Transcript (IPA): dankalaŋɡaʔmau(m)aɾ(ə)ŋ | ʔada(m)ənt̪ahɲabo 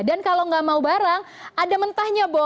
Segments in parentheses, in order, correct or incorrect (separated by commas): incorrect, incorrect, correct